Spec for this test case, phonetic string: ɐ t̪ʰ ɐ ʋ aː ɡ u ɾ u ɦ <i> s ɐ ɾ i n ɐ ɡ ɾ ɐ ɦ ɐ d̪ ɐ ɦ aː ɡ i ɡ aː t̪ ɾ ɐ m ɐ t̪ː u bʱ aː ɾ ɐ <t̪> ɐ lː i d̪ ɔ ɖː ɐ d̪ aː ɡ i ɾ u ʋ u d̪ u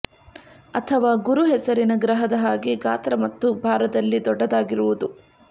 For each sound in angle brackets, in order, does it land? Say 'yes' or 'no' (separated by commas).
no, no